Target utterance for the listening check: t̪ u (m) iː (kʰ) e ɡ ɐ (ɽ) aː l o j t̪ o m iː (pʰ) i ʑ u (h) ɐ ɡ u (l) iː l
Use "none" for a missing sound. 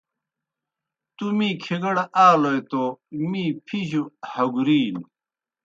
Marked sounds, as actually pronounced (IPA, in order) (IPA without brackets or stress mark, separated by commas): m, kʰ, ɽ, pʰ, h, ɾ